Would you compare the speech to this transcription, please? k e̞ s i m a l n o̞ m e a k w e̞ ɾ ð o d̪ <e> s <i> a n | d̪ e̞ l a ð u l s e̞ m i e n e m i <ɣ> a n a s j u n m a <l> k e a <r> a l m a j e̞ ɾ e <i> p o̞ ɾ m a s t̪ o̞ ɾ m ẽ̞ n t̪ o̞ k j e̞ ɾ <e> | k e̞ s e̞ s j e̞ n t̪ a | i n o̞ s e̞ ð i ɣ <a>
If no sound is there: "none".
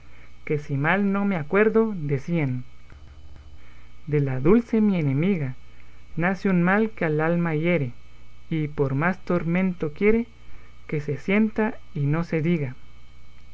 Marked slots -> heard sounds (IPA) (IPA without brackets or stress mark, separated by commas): e, i, ɣ, l, l, i, e, a